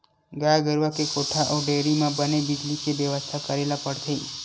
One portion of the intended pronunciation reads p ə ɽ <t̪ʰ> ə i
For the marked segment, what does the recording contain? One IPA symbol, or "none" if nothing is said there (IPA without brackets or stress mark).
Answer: t̪ʰ